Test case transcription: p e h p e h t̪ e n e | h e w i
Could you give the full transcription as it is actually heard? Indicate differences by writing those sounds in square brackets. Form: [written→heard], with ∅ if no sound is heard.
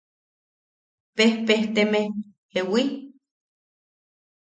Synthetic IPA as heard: p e h p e h t̪ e [n→m] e | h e w i